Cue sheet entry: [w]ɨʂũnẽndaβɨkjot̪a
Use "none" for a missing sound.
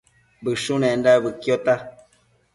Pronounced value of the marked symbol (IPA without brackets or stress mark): b